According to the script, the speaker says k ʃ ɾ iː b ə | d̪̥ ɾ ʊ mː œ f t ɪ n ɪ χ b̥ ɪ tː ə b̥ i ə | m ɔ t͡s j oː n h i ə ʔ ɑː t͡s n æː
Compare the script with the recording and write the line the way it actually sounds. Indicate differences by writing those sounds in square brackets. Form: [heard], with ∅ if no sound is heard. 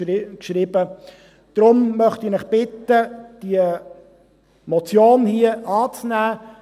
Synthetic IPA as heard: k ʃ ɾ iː b ə | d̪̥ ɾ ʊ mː œ [χ] t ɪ n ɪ χ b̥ ɪ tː ə [d̥] i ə | m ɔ t͡s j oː n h i ə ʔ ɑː t͡s n æː